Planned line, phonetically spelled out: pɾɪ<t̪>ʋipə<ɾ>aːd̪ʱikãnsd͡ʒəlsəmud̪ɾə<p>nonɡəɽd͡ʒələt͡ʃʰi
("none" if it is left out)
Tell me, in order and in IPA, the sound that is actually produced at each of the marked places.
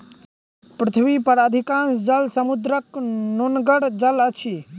t̪ʰ, ɾ, k

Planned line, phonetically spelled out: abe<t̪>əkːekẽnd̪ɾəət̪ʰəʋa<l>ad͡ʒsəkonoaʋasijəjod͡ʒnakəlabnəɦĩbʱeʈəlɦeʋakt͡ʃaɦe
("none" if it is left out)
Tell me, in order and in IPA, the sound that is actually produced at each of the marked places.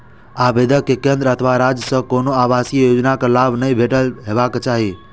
d̪, ɾ

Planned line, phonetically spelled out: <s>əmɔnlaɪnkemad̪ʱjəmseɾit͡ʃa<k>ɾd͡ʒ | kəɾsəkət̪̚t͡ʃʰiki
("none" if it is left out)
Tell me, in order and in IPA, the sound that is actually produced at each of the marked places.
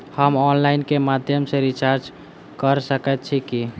h, none

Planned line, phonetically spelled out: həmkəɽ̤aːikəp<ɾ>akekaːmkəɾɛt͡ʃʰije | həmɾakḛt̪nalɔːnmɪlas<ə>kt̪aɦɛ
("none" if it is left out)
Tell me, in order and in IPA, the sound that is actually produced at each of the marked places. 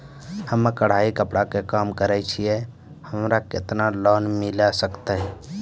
ɽ, ə

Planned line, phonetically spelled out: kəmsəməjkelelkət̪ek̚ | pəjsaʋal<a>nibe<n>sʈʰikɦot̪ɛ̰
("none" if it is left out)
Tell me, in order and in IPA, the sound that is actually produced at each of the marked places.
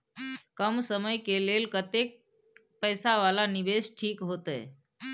a, none

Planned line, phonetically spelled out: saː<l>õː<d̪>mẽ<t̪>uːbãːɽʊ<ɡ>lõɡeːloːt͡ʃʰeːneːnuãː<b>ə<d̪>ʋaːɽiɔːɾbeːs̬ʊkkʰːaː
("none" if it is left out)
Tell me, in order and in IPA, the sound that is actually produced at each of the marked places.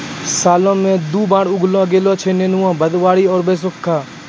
l, none, d̪, ɡ, b, d̪

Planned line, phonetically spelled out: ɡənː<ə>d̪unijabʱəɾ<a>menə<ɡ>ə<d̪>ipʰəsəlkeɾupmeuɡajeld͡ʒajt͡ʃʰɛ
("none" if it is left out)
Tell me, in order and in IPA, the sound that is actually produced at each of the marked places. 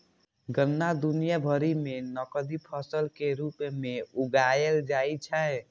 a, i, k, d̪

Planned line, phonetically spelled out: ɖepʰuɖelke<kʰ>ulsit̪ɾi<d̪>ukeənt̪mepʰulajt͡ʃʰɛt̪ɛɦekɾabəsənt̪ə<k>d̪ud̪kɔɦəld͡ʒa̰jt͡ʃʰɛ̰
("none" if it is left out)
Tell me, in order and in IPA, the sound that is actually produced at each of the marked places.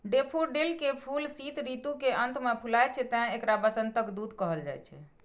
pʰ, t̪, k

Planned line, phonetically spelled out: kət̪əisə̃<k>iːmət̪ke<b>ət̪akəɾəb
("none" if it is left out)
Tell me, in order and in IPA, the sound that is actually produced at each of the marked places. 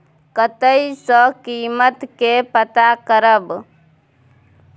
k, p

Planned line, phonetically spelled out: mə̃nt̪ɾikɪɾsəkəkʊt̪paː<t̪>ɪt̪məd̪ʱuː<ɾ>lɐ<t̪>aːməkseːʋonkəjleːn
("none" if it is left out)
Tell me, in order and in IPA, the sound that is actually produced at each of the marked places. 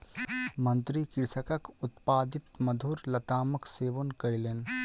d̪, ɾ, t̪

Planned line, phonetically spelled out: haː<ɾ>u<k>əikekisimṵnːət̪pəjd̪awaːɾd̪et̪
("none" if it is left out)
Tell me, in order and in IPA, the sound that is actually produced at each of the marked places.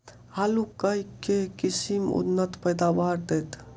l, k

